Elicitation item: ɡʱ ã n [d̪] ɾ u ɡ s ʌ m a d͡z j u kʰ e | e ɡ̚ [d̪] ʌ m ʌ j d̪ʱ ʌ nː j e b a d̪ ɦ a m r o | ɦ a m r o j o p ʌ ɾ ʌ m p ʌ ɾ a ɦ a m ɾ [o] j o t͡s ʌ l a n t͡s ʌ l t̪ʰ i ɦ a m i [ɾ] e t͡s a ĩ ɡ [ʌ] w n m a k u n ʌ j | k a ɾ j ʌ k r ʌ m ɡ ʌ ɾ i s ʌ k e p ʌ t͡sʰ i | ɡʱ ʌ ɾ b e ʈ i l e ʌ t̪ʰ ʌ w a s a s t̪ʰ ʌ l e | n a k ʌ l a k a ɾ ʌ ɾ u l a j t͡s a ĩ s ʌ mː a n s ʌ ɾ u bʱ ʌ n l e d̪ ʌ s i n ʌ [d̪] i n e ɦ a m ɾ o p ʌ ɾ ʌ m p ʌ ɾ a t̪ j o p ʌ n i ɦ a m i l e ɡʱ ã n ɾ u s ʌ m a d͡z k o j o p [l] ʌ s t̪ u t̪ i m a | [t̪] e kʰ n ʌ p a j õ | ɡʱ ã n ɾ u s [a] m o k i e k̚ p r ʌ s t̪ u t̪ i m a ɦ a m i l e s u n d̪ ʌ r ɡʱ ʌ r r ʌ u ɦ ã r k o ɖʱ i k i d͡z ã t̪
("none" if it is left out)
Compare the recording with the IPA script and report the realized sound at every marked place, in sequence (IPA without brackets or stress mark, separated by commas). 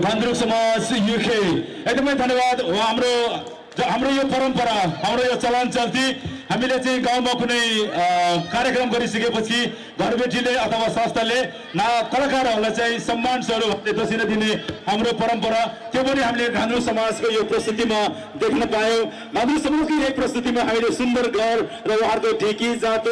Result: d̪, d̪, o, l, a, d̪, r, d̪, ʌ